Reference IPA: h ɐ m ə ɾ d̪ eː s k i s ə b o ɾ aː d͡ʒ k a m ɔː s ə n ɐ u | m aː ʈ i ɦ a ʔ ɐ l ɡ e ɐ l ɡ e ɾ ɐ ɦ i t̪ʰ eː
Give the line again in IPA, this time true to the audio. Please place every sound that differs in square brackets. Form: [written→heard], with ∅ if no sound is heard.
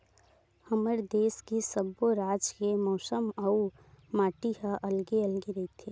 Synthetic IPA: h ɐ m ə ɾ d̪ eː s k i s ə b o ɾ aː d͡ʒ k [a→e] m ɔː s ə [n→m] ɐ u | m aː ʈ i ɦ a ʔ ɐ l ɡ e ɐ l ɡ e ɾ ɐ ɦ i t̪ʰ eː